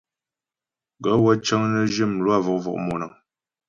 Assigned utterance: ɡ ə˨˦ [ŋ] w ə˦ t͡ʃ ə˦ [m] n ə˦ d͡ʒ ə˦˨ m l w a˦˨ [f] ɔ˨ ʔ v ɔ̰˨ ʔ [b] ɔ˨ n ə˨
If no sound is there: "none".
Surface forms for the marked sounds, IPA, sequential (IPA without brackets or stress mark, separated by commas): none, ŋ, v, m